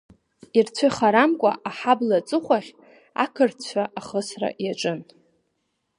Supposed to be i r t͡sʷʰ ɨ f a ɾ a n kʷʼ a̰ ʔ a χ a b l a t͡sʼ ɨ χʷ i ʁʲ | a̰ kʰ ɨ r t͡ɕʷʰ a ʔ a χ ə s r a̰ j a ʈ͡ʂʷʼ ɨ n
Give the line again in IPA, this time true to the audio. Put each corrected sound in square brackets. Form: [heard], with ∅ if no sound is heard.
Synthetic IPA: i r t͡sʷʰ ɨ [χ] a ɾ a [m] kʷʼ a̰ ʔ a [ħ] a b l a t͡sʼ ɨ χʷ [a] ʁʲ | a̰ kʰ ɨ r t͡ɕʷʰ a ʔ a χ ə s r a̰ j a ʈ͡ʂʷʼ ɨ n